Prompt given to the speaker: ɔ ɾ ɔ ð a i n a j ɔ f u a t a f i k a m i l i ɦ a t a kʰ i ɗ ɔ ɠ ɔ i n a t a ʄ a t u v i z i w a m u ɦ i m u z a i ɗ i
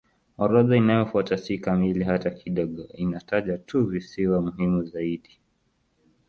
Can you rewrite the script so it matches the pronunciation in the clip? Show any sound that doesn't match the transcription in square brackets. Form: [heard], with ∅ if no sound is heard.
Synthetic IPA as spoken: ɔ ɾ ɔ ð a i n a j ɔ f u a t a [s] i k a m i l i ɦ a t a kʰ i ɗ ɔ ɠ ɔ i n a t a ʄ a t u v i [s] i w a m u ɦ i m u z a i ɗ i